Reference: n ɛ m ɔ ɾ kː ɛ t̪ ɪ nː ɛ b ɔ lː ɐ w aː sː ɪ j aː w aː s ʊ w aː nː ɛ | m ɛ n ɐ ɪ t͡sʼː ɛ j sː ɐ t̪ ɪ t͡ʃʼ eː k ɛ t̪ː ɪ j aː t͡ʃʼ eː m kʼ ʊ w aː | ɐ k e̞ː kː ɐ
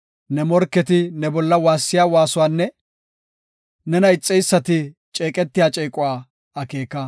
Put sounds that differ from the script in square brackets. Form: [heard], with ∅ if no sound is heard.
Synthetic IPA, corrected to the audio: n ɛ m ɔ ɾ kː ɛ t̪ ɪ [n] ɛ b ɔ lː ɐ w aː sː ɪ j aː w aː s ʊ w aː nː ɛ | [n] ɛ n ɐ ɪ t͡sʼː ɛ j sː ɐ t̪ ɪ t͡ʃʼ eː [kʼ] ɛ t̪ː ɪ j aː t͡ʃʼ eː [∅] kʼ ʊ w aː | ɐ k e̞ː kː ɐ